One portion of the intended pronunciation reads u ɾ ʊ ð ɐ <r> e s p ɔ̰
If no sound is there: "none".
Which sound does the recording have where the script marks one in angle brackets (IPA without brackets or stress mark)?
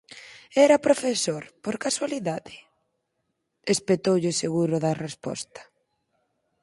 r